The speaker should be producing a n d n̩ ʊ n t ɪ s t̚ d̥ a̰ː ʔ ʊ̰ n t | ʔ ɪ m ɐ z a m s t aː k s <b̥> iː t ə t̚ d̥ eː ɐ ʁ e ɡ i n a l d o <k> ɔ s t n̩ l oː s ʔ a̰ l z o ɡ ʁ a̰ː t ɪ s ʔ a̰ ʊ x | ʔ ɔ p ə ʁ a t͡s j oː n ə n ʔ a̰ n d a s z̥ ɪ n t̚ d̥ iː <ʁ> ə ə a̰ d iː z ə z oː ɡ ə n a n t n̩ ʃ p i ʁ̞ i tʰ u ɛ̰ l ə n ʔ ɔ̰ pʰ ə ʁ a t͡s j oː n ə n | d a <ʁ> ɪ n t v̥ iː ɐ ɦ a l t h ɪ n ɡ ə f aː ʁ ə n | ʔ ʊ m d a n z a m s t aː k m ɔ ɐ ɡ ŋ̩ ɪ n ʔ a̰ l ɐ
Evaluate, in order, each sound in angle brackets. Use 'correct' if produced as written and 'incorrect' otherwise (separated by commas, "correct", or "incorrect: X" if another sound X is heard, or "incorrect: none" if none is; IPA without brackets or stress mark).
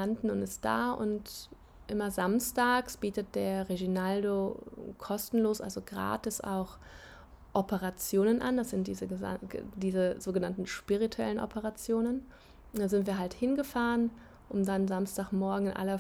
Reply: correct, incorrect: kʰ, incorrect: z, incorrect: z